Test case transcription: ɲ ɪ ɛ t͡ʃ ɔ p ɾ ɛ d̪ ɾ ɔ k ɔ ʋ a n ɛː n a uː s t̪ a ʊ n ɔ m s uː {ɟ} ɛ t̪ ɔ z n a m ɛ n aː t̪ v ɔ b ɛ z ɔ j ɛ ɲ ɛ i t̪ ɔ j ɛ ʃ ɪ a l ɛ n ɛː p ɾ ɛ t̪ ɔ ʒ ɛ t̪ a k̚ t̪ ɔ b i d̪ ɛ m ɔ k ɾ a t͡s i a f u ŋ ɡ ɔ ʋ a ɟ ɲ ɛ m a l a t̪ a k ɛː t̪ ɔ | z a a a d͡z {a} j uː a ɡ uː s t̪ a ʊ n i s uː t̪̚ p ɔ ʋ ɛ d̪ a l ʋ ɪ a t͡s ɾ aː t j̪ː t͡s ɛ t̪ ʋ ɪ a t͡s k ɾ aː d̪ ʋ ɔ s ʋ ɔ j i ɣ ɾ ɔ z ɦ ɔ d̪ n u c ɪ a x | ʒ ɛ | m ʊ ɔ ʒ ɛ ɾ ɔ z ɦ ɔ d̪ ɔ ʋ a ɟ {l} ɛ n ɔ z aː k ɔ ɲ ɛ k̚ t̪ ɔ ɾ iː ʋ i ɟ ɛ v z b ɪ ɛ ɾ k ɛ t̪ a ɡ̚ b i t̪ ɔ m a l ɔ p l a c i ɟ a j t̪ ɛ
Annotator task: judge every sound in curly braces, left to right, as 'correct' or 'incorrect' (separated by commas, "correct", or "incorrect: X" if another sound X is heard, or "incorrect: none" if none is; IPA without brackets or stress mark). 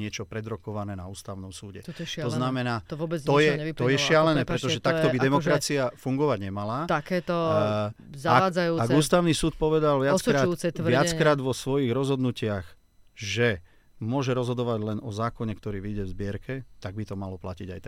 correct, correct, correct